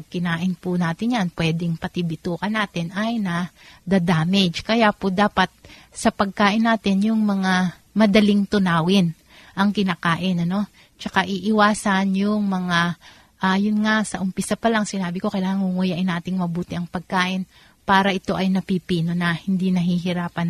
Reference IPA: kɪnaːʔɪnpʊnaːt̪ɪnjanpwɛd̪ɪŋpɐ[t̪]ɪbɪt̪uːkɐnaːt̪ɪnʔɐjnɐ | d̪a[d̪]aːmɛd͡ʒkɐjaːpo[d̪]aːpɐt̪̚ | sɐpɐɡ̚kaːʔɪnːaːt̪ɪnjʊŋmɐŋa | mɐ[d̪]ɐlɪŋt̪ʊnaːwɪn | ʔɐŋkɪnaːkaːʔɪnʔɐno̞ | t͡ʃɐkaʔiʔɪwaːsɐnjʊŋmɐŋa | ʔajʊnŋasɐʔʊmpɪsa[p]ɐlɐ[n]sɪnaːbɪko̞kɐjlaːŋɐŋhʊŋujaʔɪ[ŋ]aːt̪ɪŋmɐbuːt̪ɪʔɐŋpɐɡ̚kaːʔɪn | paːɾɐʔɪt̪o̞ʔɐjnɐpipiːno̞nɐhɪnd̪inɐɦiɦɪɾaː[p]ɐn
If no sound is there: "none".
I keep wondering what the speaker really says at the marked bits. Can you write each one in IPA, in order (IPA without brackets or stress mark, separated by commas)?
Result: t̪, d̪, d̪, d̪, p, ŋ, n, p